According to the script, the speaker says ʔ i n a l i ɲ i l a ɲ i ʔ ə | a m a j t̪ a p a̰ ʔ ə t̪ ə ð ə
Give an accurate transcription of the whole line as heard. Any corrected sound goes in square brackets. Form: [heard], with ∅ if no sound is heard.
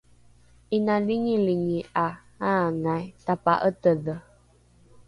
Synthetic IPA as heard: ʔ i n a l i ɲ i l [i] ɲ i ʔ [a] | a [ŋ] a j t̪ a p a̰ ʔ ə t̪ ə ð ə

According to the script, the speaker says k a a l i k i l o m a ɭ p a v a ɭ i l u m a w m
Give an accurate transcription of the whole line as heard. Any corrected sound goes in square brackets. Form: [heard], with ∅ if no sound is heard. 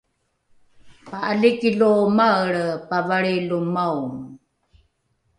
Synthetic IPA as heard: [p] a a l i k i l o m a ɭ p a v a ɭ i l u m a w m

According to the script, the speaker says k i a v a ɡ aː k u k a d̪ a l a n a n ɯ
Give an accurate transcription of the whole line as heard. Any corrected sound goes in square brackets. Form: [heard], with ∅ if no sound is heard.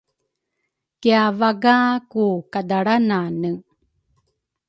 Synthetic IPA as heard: k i a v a ɡ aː k u k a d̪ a [ɽ] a n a n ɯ

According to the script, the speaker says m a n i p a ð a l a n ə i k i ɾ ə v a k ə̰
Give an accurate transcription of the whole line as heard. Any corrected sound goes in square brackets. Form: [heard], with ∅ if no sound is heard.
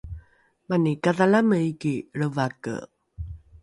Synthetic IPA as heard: m a n i [k] a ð a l a [m] ə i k i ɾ ə v a k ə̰

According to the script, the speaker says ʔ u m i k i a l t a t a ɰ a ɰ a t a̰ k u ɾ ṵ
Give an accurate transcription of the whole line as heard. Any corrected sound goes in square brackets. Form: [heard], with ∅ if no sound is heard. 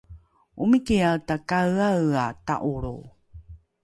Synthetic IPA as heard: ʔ u m i k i a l t a [k] a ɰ a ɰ a t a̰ [ʔ] u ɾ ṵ

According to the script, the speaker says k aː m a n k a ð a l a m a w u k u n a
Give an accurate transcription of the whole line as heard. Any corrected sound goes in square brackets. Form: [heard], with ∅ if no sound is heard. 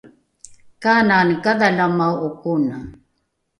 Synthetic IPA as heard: k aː [n] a n k a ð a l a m a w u k u n a

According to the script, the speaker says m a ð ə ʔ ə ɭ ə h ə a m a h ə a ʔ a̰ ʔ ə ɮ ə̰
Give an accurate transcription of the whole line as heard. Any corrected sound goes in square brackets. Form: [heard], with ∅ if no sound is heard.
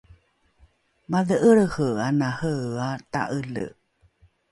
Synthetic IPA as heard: m a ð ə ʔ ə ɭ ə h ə a [n] a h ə a [t] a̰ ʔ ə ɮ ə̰

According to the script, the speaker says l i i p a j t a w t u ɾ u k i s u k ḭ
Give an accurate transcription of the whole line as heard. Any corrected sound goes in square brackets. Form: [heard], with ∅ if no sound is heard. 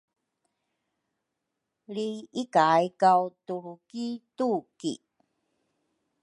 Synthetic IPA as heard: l i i [k] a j [k] a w t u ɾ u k i [t] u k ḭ

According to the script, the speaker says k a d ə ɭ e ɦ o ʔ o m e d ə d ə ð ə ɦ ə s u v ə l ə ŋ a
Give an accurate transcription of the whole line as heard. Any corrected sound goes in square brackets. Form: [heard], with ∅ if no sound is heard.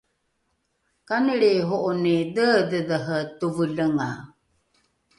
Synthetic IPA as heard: k a [n] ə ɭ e ɦ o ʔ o [n] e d ə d ə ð ə ɦ ə [t] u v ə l ə ŋ a

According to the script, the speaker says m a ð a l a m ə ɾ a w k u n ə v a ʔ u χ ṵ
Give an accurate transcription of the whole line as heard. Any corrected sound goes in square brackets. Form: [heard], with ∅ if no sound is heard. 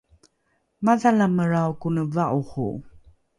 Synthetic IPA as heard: m a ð a l a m ə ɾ a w k u n ə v a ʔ u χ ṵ

